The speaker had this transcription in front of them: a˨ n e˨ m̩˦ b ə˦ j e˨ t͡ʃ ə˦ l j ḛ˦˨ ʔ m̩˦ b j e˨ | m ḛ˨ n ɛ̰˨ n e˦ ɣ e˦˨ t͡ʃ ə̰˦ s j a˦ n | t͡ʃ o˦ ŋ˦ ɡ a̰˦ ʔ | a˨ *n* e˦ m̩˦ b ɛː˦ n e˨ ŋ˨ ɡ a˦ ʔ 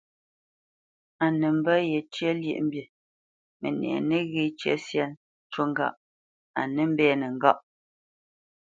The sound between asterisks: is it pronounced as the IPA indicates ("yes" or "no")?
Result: yes